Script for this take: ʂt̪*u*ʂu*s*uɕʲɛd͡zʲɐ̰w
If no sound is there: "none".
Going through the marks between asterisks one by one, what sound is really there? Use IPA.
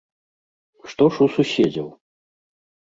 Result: ɔ, s

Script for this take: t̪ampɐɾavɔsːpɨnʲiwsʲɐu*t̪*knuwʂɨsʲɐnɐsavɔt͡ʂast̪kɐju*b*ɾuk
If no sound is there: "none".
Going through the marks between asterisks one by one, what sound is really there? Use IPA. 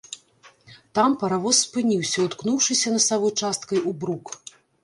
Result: t̪, b

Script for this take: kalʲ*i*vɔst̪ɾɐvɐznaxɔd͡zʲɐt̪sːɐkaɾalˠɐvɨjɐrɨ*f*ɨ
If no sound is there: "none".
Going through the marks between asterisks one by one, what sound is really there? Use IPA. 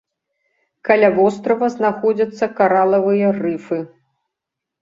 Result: a, f

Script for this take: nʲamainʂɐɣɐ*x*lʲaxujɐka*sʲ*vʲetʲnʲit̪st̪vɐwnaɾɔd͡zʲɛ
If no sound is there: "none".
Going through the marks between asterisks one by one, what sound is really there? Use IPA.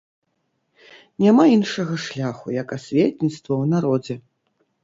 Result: ʂ, sʲ

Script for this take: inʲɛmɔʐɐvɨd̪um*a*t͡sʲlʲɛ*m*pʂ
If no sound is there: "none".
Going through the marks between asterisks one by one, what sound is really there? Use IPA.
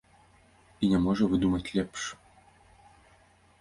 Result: ɐ, none

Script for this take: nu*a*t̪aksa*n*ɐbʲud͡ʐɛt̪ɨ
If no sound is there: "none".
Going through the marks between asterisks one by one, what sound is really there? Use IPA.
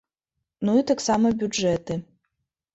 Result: i, m

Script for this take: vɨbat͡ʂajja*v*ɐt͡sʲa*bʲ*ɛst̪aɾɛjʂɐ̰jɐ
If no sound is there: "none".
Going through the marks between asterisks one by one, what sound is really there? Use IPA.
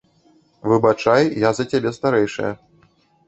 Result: z, bʲ

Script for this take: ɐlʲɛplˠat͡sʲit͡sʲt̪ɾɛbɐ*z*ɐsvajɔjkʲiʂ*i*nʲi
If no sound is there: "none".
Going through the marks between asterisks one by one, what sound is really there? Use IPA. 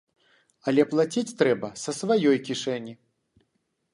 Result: s, ɛ

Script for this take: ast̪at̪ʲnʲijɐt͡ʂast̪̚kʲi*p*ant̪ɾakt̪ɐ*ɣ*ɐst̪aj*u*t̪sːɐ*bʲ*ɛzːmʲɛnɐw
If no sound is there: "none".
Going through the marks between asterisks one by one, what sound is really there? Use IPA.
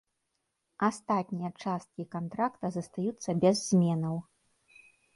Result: k, z, u, bʲ

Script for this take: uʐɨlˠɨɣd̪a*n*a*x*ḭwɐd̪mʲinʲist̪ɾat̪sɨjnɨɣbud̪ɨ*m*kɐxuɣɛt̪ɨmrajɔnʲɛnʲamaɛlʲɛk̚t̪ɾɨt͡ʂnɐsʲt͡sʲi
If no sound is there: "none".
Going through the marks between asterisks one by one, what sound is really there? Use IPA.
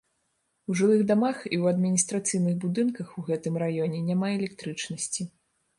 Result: m, x, n

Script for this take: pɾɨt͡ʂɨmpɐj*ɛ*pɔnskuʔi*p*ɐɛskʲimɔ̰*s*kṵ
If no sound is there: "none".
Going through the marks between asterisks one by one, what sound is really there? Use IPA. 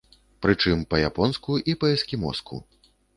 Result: a, p, s

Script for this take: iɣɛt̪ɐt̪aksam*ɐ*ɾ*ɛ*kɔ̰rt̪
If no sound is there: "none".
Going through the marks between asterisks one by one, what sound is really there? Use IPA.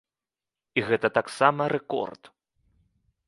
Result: ɐ, ɛ

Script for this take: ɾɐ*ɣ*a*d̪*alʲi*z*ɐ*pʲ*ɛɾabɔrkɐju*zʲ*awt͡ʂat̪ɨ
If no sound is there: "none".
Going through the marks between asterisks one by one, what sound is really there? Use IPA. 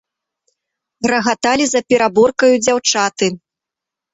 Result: ɣ, t̪, z, pʲ, d͡zʲ

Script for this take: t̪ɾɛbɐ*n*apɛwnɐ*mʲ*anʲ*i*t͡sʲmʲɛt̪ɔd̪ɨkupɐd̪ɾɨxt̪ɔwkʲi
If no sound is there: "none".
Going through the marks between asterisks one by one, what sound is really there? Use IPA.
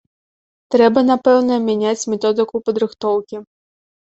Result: n, mʲ, a

